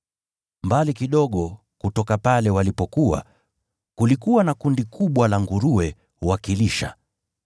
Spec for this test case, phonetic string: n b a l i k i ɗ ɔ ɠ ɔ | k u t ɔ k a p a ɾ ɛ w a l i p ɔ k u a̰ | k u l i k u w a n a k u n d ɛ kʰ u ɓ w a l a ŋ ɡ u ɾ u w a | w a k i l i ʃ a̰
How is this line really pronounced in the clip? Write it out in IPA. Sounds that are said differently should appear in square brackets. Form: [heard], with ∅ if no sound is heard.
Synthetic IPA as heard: [m] b a l i k i ɗ ɔ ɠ ɔ | k u t ɔ k a p a [l] ɛ w a l i p ɔ k u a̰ | k u l i k u w a n a k u n d [i] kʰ u ɓ w a l a ŋ ɡ u ɾ u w [ɛ] | w a k i l i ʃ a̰